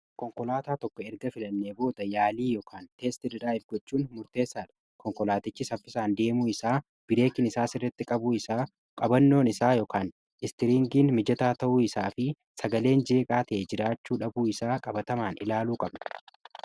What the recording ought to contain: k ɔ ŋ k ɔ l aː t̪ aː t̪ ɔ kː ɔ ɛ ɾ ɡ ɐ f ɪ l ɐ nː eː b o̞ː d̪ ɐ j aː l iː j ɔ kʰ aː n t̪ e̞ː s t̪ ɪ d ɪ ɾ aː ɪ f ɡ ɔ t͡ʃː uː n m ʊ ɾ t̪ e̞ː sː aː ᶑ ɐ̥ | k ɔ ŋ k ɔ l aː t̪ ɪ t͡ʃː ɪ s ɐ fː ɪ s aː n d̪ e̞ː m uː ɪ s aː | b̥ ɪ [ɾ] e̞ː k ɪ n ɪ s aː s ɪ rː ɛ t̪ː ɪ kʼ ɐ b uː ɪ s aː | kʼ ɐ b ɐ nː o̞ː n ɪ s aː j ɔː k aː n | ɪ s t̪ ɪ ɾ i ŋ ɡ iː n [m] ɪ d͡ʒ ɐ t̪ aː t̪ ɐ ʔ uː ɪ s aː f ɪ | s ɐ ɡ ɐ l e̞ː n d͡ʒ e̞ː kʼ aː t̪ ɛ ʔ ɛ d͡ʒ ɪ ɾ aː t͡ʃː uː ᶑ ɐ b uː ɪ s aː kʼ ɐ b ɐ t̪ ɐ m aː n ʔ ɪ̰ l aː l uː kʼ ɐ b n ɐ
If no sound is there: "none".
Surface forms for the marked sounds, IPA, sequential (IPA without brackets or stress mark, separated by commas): ɾ, m